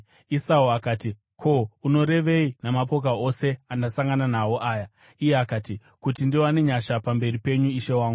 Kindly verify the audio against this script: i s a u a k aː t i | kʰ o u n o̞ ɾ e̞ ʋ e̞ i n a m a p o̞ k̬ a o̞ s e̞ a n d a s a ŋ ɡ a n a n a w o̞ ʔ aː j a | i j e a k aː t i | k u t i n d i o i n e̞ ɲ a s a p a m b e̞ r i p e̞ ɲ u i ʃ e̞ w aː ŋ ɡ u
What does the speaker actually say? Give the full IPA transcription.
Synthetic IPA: i s a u a k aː t i | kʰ o u n o̞ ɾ e̞ ʋ e̞ i n a m a p o̞ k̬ a o̞ s e̞ a n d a s a ŋ ɡ a n a n a w o̞ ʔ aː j a | i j e a k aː t i | k u t i n d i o a n e̞ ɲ a ʃ a p a m b e̞ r i p e̞ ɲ u i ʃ e̞ w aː ŋ ɡ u